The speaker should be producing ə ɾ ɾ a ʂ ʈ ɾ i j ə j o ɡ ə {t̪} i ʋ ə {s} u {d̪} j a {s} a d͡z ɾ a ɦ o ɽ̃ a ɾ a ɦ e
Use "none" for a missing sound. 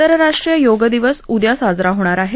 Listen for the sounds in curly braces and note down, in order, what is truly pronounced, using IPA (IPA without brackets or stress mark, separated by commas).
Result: d̪, s, d̪, s